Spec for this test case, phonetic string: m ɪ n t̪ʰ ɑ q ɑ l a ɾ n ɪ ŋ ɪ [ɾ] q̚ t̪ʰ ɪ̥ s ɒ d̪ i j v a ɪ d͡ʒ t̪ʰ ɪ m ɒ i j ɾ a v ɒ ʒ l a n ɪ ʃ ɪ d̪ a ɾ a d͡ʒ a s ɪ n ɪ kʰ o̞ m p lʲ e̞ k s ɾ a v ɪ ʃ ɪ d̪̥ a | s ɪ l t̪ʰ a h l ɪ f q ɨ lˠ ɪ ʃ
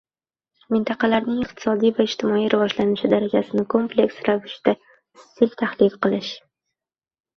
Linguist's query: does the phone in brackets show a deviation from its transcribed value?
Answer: yes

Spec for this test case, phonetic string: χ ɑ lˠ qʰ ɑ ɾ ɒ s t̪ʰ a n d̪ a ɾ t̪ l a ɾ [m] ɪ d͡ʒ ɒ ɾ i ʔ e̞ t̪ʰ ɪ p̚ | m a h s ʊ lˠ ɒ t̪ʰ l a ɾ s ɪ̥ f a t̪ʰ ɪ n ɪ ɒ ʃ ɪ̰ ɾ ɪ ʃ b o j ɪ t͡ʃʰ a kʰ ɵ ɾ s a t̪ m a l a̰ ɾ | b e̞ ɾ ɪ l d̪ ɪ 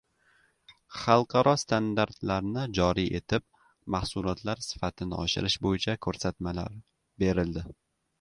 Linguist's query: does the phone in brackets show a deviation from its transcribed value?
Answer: yes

